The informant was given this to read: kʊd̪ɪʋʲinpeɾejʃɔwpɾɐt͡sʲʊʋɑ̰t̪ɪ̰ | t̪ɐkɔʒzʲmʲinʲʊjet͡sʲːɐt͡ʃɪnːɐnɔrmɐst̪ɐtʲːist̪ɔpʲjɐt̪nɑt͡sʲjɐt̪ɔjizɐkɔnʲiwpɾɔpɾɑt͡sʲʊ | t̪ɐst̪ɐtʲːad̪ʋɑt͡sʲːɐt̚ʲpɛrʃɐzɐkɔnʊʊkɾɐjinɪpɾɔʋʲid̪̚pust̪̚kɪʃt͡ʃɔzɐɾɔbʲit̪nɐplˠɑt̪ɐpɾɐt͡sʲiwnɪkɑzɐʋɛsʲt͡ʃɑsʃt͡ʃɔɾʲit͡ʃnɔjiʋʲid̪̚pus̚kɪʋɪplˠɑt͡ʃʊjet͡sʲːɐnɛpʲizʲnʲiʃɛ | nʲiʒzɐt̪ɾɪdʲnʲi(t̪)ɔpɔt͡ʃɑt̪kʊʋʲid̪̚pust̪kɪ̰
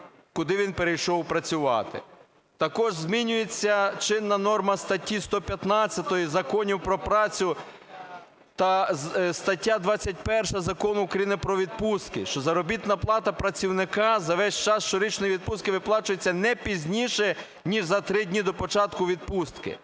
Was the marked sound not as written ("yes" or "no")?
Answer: yes